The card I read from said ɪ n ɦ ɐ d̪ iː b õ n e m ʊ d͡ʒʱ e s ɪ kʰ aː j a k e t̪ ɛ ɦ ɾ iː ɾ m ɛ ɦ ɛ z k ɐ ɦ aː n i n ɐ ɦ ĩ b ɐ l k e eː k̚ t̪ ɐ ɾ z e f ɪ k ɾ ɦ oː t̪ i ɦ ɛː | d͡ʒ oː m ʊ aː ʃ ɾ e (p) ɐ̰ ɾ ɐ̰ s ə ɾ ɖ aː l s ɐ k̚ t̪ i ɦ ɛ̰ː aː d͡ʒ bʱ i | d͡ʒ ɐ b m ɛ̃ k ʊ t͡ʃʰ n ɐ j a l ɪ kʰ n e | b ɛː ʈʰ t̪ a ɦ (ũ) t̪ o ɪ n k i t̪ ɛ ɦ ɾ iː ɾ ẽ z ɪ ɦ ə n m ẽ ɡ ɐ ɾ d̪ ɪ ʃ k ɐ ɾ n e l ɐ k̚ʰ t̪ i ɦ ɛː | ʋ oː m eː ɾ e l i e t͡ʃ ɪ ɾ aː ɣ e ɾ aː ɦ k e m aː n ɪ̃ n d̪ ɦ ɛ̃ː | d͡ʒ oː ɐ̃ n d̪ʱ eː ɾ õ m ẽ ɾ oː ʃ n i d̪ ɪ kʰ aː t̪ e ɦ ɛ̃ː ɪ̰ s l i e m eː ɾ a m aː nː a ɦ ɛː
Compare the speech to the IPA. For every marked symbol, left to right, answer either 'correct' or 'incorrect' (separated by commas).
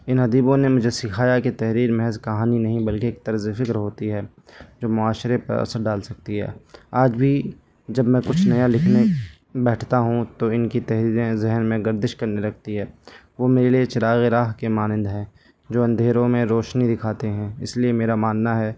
correct, correct